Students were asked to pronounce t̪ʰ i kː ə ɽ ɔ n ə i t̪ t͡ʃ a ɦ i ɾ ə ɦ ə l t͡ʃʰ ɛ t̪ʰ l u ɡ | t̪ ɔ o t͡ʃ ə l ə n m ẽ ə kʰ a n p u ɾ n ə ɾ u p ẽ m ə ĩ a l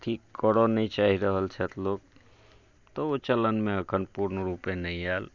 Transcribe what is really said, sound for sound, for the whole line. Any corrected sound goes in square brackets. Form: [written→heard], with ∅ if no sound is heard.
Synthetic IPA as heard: t̪ʰ i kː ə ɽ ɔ n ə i [t̪→∅] t͡ʃ a ɦ i ɾ ə ɦ ə l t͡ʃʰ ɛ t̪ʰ l [u→o] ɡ | t̪ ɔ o t͡ʃ ə l ə n m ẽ ə kʰ [a→ə] n p u ɾ n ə ɾ u p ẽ [m→n] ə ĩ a l